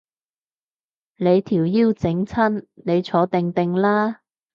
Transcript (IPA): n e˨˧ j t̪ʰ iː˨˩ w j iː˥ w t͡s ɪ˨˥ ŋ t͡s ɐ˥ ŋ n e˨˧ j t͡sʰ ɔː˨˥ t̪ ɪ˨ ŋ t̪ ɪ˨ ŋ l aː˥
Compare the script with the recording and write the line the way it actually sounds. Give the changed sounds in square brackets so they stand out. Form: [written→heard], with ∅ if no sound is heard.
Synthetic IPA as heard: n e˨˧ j t̪ʰ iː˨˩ w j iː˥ w t͡s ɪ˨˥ ŋ [t͡s→t͡sʰ] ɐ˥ [ŋ→n] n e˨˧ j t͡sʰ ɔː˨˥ t̪ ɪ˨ ŋ t̪ ɪ˨ ŋ l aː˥